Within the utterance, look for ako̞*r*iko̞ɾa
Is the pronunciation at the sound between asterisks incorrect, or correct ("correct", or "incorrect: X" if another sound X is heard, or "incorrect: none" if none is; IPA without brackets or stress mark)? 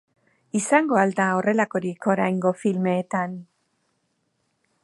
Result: incorrect: ɾ